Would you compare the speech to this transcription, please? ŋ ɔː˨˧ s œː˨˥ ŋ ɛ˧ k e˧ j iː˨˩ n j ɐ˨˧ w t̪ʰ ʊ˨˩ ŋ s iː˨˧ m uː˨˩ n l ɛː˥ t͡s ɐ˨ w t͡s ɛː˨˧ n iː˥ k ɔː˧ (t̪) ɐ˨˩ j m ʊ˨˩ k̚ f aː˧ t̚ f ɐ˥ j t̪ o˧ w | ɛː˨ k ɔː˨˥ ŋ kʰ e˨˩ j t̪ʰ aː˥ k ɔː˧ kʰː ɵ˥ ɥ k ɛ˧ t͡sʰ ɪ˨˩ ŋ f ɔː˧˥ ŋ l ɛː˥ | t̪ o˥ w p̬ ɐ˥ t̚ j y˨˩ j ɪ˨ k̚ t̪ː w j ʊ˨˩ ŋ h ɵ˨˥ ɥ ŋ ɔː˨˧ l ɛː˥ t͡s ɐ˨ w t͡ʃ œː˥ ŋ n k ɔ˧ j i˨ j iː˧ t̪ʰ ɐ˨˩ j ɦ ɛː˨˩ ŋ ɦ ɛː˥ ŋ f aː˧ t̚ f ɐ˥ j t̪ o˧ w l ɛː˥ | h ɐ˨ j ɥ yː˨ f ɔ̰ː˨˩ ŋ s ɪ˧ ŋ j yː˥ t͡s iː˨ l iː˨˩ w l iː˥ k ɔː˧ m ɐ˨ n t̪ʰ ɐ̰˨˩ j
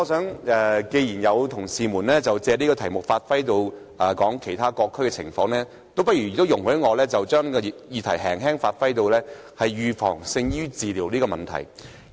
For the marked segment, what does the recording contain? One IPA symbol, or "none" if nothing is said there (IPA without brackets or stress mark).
t̪ʰ